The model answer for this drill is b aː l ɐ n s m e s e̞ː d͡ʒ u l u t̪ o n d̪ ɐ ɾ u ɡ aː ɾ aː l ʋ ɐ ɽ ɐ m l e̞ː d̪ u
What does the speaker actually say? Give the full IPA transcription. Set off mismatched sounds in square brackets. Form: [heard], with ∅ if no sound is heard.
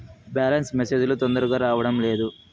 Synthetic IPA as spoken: b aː l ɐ n s m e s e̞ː d͡ʒ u l u t̪ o n d̪ ɐ ɾ u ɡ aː ɾ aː [∅] ʋ ɐ ɽ ɐ m l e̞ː d̪ u